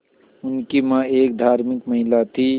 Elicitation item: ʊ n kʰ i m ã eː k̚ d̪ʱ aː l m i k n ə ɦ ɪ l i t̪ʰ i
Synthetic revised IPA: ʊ n k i m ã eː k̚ d̪ʱ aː ɾ m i k m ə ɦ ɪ l a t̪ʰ i